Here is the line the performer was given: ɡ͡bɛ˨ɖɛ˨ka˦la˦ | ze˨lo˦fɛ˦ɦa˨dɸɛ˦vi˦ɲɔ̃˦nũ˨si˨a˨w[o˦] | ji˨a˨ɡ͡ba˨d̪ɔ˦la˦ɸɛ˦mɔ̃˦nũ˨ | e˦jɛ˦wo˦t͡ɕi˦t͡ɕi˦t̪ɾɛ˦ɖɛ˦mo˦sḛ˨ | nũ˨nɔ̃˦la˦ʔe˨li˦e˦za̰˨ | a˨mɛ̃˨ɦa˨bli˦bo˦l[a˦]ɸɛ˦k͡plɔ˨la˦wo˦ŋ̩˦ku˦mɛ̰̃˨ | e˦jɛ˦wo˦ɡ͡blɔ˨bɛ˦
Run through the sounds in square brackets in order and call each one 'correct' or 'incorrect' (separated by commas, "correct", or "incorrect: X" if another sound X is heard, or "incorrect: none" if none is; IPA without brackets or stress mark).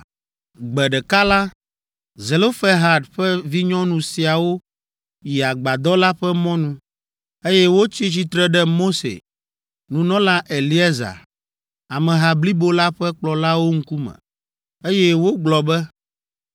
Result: correct, correct